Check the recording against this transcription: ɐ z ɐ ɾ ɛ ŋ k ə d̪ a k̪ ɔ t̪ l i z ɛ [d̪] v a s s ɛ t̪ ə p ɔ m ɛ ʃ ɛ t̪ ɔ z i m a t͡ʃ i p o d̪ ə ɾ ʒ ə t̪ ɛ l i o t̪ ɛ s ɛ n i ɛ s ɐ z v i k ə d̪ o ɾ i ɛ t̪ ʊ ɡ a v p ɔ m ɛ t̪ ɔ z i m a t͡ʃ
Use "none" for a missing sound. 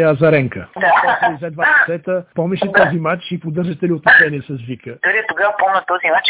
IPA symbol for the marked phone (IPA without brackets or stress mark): d̪